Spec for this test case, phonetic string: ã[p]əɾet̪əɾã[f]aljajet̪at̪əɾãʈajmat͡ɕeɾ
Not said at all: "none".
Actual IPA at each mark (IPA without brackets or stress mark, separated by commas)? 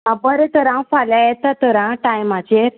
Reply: b, f